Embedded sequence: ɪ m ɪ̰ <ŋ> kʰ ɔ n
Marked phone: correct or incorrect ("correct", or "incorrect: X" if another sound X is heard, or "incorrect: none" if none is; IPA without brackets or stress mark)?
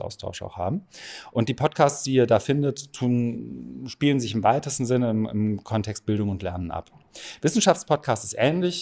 incorrect: m